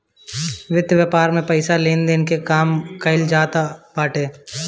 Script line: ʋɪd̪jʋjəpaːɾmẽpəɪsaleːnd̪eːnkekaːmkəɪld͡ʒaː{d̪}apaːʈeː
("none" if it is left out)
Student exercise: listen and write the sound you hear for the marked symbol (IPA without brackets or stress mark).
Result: t̪